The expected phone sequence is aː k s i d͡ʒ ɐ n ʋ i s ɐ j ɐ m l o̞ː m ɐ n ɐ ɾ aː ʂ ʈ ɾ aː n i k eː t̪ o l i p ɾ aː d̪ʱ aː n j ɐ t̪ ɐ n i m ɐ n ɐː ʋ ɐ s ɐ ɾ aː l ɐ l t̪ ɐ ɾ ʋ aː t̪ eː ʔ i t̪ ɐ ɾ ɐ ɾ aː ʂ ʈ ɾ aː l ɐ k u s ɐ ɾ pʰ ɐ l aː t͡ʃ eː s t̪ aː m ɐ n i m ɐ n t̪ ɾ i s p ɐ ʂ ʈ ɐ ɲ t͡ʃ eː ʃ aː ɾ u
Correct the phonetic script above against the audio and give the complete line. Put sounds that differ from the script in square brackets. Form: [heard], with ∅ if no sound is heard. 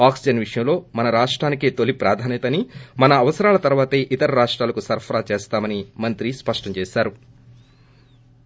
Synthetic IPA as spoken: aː k s i d͡ʒ ɐ n ʋ i [ʂ] ɐ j ɐ m l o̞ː m ɐ n ɐ ɾ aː ʂ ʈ ɾ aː n i k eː t̪ o l i p ɾ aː d̪ʱ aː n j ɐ t̪ ɐ n i m ɐ n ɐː ʋ ɐ s ɐ ɾ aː l ɐ [∅] t̪ ɐ ɾ ʋ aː t̪ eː ʔ i t̪ ɐ ɾ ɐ ɾ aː ʂ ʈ ɾ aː l ɐ k u s ɐ ɾ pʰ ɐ [ɾ] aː t͡ʃ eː s t̪ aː m ɐ n i m ɐ n t̪ ɾ i s p ɐ ʂ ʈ ɐ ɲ t͡ʃ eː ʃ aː ɾ u